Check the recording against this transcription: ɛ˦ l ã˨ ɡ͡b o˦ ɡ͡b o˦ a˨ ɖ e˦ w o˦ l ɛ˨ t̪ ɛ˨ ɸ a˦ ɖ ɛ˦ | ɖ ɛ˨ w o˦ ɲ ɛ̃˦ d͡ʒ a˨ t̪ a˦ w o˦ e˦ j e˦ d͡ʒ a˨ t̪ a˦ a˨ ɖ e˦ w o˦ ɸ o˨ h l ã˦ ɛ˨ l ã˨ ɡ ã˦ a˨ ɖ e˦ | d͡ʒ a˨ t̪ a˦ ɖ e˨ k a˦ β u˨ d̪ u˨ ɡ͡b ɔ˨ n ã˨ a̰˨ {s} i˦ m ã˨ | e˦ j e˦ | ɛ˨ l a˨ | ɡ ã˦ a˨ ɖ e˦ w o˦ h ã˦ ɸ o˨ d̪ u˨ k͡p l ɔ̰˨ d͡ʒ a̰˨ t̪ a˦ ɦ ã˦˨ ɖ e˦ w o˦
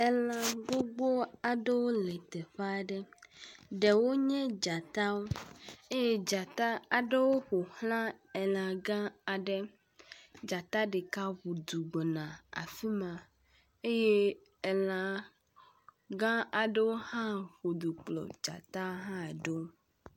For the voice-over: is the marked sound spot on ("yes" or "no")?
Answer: no